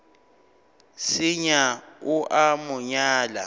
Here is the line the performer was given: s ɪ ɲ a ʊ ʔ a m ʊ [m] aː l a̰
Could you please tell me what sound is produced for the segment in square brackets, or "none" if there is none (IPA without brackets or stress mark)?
ɲ